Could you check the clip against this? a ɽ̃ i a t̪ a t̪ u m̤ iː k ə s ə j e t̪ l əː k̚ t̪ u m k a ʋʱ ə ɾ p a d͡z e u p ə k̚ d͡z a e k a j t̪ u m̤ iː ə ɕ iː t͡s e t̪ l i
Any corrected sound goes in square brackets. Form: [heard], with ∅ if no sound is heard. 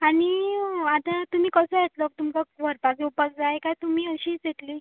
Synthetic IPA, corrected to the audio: a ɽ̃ i a t̪ a t̪ u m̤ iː k ə s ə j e t̪ l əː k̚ t̪ u m k a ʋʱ ə ɾ p a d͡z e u p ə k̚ d͡z a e k a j t̪ u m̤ iː ə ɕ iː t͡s e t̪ l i